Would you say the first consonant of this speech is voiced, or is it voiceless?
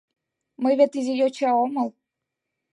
voiced